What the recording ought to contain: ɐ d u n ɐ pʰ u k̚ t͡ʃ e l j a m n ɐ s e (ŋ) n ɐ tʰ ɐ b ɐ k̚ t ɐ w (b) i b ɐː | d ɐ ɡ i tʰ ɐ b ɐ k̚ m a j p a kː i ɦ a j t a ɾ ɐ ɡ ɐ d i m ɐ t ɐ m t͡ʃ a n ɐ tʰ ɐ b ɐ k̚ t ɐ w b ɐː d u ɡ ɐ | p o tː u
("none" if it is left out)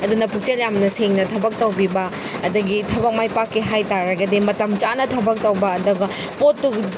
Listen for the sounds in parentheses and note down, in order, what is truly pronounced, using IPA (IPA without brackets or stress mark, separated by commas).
ŋ, b